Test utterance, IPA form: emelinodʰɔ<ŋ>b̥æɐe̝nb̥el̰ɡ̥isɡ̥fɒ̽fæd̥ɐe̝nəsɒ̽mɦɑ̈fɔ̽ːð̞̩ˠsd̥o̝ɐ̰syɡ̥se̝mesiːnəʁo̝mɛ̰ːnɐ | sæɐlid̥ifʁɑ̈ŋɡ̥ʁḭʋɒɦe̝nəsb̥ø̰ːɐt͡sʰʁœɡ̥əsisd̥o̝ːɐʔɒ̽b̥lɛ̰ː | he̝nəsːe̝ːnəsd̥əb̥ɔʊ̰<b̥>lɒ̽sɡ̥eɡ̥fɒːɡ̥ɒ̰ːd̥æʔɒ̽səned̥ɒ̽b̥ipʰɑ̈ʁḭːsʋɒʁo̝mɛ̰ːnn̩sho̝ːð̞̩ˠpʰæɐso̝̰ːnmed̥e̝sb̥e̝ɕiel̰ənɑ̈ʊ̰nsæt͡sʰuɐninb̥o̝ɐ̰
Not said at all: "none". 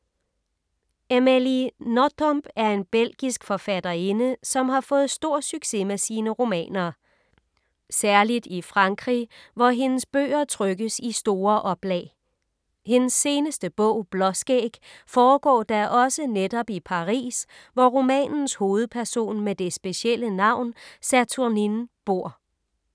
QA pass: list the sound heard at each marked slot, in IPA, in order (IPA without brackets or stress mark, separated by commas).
m, b̥